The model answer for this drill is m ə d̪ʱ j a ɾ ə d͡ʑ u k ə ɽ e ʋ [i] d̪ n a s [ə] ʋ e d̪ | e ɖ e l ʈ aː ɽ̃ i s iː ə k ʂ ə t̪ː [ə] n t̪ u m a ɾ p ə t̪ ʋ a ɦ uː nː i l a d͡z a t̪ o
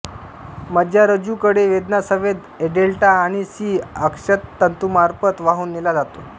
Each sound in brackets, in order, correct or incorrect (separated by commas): incorrect, correct, correct